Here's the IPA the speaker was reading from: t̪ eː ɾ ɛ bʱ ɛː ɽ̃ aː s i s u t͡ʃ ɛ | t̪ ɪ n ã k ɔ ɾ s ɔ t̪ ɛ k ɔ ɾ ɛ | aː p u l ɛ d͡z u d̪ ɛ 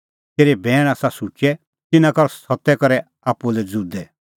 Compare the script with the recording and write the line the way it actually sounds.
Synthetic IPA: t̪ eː ɾ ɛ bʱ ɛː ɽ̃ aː s a s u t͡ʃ ɛ | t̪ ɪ n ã k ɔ ɾ s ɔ t̪ ɛ k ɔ ɾ ɛ | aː p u l ɛ d͡z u d̪ ɛ

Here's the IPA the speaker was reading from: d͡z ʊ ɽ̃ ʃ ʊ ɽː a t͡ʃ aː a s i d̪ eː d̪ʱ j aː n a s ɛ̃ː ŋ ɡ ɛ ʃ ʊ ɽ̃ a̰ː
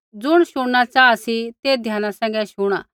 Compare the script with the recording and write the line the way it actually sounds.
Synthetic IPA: d͡z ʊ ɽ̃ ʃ ʊ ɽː a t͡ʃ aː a s i t̪ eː d̪ʱ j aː n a s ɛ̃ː ŋ ɡ ɛ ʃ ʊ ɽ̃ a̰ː

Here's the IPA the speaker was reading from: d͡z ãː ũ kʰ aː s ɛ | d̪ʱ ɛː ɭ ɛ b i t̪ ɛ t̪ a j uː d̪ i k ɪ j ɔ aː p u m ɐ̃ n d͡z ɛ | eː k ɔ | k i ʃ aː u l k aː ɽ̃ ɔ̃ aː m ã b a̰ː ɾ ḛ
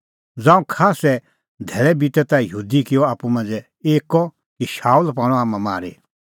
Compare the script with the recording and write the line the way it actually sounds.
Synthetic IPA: d͡z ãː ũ kʰ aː s ɛ | d̪ʱ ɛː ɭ ɛ b i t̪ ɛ t̪ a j uː d̪ i k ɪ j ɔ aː p u m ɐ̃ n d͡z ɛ | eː k ɔ | k i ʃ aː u l p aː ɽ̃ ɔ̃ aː m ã m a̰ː ɾ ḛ

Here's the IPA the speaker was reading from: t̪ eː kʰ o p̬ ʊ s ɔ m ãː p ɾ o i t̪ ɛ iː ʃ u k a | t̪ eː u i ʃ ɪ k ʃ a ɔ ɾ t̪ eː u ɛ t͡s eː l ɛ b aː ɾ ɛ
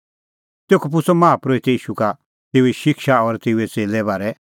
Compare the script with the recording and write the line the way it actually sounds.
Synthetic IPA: t̪ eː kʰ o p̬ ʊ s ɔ m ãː p ɾ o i t̪ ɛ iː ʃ u k a | t̪ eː u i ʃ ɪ k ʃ a ɔ ɾ t̪ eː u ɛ t͡s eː l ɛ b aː ɾ ɛ

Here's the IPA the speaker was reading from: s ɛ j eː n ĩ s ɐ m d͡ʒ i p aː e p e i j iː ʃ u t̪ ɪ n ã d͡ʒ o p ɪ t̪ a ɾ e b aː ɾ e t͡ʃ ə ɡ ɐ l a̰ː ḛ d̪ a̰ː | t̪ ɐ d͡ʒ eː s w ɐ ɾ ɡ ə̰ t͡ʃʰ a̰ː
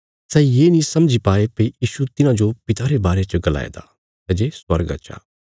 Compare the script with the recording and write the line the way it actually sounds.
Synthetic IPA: s ɛ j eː n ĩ s ɐ m d͡ʒ i p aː e p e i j iː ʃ u t̪ ɪ n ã d͡ʒ o p ɪ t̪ a ɾ e b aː ɾ e t͡ʃ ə ɡ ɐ l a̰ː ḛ d̪ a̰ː | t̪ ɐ d͡ʒ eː s w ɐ ɾ ɡ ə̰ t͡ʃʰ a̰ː

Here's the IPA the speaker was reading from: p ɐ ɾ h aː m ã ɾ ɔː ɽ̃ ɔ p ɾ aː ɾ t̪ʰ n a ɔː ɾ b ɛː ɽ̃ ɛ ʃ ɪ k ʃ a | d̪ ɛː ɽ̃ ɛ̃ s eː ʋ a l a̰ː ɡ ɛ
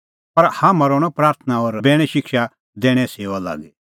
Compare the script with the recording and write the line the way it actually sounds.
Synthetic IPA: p ɐ ɾ h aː m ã ɾ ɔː ɽ̃ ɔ p ɾ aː ɾ t̪ʰ n a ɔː ɾ b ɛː ɽ̃ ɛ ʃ ɪ k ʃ a | d̪ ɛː ɽ̃ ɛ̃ s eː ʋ a l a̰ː ɡ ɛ

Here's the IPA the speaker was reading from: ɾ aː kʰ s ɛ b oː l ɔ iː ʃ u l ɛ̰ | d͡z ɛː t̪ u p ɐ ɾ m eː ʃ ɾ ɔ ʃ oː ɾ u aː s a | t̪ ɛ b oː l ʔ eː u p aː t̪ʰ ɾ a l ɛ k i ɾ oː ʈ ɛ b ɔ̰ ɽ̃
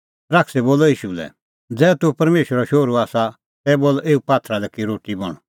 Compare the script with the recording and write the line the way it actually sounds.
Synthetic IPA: ɾ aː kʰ s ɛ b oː l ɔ iː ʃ u l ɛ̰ | d͡z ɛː t̪ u p ɐ ɾ m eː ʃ ɾ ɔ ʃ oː ɾ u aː s a | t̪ ɛ b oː l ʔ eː u p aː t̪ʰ ɾ a l ɛ k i ɾ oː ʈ i b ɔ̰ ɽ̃

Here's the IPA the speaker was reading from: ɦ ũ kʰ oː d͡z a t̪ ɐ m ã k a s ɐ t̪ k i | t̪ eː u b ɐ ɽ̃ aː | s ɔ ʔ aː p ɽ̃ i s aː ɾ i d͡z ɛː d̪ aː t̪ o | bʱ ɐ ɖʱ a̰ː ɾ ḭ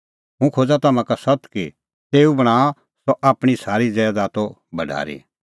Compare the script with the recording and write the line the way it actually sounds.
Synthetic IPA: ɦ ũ kʰ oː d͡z a t̪ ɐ m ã k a s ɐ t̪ k i | t̪ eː u b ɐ ɽ̃ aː | s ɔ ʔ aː p ɽ̃ i s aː ɾ i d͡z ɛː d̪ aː t̪ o | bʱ ɐ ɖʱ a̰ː ɾ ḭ

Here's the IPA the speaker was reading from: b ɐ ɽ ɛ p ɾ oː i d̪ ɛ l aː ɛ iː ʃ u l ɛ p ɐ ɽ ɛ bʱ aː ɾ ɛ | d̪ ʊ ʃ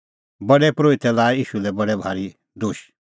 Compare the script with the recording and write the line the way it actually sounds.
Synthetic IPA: b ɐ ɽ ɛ p ɾ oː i t̪ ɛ l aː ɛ iː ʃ u l ɛ b ɐ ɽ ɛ bʱ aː ɾ i | d̪ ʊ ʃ

